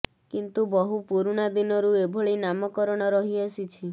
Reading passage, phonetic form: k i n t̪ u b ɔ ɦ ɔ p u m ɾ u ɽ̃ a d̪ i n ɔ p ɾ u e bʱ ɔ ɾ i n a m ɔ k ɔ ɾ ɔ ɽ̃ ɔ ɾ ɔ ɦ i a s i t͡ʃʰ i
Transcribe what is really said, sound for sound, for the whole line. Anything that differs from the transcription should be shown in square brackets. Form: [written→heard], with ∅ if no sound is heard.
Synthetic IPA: k i n t̪ u b ɔ ɦ [ɔ→u] p u [m→∅] ɾ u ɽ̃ a d̪ i n ɔ [p→∅] ɾ u e bʱ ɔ [ɾ→ɭ] i n a m ɔ k ɔ ɾ ɔ ɽ̃ ɔ ɾ ɔ ɦ i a s i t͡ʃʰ i